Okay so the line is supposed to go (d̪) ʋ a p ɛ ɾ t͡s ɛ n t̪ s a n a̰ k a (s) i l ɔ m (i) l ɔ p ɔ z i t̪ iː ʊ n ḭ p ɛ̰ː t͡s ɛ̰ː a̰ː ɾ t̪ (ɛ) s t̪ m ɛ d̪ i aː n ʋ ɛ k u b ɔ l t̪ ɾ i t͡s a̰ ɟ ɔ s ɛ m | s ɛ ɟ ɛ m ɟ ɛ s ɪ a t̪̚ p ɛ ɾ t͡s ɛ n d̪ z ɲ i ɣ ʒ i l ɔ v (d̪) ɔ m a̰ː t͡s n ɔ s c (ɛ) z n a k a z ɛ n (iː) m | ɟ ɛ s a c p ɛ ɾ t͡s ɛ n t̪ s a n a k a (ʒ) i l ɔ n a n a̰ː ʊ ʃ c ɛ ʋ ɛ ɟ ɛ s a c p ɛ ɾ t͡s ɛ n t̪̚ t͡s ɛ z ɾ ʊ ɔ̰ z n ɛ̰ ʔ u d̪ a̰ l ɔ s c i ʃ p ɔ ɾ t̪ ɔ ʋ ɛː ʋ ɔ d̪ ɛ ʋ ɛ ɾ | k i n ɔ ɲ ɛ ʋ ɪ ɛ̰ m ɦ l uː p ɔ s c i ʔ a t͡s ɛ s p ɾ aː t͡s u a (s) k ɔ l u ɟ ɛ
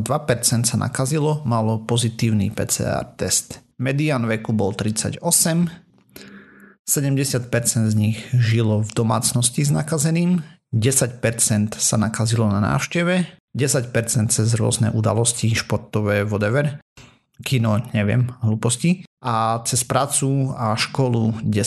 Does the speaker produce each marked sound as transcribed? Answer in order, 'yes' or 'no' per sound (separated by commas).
yes, no, no, yes, yes, no, yes, no, no